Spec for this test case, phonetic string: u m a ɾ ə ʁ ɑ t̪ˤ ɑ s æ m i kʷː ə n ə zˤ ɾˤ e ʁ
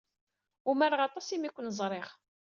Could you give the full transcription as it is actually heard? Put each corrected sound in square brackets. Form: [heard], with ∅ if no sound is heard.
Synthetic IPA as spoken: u m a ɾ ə ʁ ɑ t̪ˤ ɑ s [i] m i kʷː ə n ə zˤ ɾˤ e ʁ